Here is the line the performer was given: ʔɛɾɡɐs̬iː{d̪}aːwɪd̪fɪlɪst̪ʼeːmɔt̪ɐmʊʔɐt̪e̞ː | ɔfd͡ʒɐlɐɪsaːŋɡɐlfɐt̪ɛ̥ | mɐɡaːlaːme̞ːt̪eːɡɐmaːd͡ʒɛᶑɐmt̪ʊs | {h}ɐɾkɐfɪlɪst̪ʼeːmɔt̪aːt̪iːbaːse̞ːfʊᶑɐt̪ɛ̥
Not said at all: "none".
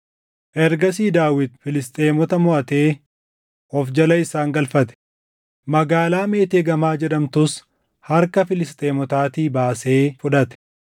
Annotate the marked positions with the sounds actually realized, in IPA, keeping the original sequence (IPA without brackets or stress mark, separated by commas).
d̪, h